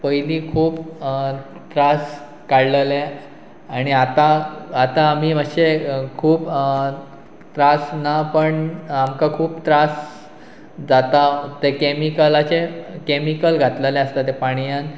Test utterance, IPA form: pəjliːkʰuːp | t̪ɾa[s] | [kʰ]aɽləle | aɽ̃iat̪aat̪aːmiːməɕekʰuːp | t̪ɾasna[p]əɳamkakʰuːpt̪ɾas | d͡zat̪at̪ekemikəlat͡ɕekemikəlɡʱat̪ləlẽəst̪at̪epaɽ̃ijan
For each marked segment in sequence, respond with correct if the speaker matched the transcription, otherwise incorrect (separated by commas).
correct, incorrect, correct